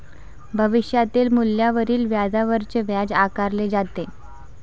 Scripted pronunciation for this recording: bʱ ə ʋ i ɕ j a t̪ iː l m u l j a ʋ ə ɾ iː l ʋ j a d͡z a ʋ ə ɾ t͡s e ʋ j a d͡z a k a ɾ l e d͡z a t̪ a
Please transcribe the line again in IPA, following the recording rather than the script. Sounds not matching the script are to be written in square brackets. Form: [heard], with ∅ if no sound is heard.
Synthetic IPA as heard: bʱ ə ʋ i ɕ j a t̪ iː l m u l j a ʋ ə ɾ iː l ʋ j a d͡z a ʋ ə ɾ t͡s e ʋ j a d͡z a k a ɾ l e d͡z a t̪ [e]